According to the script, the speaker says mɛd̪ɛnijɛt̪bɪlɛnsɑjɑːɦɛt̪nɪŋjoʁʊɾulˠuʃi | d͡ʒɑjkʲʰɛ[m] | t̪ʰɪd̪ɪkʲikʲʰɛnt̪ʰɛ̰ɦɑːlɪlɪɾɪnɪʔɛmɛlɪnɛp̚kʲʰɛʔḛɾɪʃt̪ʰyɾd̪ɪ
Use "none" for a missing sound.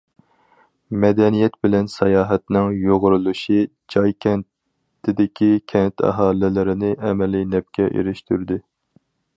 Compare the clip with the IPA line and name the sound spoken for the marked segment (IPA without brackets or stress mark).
n